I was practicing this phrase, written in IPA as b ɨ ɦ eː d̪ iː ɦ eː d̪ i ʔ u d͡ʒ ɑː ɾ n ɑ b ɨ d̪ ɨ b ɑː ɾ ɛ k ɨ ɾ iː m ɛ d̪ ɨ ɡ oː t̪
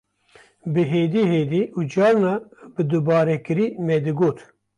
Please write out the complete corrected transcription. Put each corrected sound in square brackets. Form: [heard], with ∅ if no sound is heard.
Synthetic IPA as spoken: b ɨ ɦ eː d̪ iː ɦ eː d̪ i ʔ u d͡ʒ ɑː ɾ n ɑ b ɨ d̪ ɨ b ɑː ɾ ɛ k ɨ ɾ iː m ɛ d̪ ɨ ɡ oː t̪